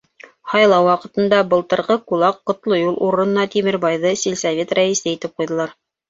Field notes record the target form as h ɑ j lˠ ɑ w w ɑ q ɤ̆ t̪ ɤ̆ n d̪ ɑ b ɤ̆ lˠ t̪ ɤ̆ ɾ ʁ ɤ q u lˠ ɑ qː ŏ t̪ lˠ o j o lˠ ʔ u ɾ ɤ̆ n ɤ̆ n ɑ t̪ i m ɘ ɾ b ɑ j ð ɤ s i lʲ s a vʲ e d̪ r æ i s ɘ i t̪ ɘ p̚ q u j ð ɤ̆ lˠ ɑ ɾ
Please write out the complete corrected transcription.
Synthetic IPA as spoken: h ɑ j lˠ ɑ w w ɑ q ɤ̆ t̪ ɤ̆ n d̪ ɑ b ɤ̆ lˠ t̪ ɤ̆ ɾ ʁ ɤ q u lˠ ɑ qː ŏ t̪ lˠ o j u lˠ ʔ u ɾ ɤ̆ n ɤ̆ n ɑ t̪ i m ɘ ɾ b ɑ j ð ɤ s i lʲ s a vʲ e t̪ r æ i s ɘ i t̪ ɘ p̚ q u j ð ɤ̆ lˠ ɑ ɾ